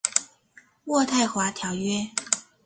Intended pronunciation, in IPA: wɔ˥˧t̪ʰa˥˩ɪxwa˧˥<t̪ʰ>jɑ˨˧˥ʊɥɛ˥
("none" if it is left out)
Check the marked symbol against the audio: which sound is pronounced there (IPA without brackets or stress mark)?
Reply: t̪ʰ